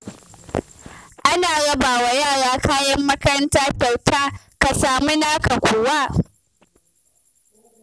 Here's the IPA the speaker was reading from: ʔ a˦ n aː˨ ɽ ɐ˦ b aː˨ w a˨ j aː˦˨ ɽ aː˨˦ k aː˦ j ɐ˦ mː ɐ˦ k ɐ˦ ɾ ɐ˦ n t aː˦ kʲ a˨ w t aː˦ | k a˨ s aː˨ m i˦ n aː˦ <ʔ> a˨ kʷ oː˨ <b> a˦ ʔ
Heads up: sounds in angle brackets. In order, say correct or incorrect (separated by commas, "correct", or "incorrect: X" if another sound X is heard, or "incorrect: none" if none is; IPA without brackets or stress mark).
incorrect: k, incorrect: w